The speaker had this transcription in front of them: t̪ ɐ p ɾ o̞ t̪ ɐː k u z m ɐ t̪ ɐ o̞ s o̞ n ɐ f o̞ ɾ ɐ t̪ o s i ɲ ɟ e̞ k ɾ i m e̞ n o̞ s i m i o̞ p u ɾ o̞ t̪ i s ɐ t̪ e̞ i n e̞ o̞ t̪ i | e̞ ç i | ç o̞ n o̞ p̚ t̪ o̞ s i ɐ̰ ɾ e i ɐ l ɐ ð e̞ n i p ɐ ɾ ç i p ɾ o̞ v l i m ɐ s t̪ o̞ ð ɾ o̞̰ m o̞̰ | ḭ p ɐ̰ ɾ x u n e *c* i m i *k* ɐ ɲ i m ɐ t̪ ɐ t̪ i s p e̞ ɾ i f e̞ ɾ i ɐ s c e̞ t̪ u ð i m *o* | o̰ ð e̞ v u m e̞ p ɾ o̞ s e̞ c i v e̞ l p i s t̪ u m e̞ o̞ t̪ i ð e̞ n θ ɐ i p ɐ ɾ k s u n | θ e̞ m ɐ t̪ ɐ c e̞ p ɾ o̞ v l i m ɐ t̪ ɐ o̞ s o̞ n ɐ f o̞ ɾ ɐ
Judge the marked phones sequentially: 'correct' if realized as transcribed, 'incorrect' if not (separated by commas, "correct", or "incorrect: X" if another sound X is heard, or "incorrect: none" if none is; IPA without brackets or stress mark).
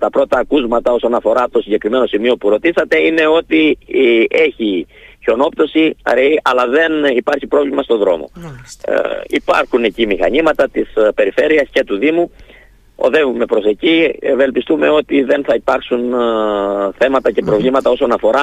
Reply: correct, incorrect: x, incorrect: u